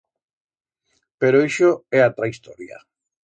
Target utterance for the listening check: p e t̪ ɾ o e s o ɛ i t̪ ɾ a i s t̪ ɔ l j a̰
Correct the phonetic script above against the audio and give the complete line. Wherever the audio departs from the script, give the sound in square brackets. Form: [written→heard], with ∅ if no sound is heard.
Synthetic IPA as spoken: p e [t̪→∅] ɾ o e [s→ʃ] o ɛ [i→a] t̪ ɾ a i s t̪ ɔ [l→ɾ] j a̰